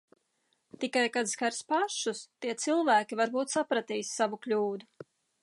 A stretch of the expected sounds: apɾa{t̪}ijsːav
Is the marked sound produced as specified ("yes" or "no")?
yes